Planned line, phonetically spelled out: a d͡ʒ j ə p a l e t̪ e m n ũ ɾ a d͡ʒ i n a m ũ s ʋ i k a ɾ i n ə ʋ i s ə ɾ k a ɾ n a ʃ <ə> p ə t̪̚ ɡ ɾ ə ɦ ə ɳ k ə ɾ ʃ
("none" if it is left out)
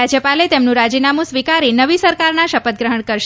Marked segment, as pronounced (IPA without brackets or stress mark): ə